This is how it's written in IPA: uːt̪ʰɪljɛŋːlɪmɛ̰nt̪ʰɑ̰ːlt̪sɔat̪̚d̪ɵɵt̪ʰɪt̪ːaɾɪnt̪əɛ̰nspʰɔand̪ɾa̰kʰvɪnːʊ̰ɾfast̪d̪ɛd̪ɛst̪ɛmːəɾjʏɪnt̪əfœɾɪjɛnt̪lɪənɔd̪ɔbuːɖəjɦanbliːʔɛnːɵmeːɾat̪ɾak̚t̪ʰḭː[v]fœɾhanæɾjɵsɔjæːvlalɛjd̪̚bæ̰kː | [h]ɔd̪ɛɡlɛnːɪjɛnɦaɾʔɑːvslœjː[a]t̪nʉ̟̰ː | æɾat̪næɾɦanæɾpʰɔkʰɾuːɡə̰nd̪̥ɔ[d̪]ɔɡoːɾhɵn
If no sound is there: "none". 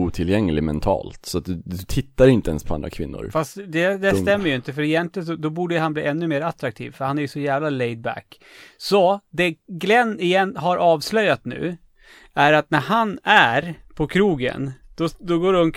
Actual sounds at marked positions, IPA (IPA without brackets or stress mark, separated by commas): v, s, a, d̪